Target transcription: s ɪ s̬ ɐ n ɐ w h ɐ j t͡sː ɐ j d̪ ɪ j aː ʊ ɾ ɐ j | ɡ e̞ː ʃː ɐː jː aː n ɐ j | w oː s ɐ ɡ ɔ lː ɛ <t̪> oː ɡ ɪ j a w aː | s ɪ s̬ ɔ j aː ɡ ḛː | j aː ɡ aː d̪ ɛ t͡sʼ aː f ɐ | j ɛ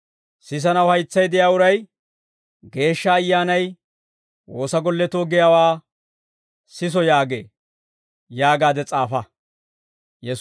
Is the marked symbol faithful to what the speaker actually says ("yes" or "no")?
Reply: yes